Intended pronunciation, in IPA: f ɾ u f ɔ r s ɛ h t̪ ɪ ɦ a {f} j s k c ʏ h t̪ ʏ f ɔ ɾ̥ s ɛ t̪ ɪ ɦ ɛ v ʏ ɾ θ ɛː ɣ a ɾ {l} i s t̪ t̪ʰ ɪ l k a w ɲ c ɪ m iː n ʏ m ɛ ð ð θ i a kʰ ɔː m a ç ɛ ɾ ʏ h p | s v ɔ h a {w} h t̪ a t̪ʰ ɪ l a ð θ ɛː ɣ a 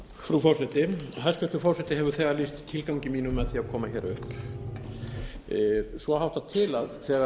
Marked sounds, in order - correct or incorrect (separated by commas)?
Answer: incorrect, correct, correct